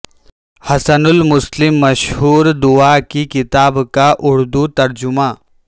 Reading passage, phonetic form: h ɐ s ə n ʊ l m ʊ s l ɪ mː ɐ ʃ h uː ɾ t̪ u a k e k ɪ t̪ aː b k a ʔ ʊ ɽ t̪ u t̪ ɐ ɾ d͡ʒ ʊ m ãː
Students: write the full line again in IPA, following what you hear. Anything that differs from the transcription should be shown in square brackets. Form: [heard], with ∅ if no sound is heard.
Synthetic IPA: h ɐ s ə n ʊ l m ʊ s l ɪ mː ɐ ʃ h uː ɾ [d̪] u a k [i] k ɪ t̪ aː b k a ʔ ʊ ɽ [d̪] u t̪ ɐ ɾ d͡ʒ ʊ m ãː